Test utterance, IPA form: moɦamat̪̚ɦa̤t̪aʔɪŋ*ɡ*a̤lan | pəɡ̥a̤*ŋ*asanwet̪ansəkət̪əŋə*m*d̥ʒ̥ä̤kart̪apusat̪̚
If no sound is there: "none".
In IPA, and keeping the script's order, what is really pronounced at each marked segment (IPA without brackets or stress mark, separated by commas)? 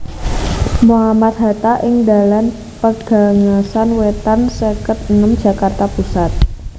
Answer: d, ŋ, m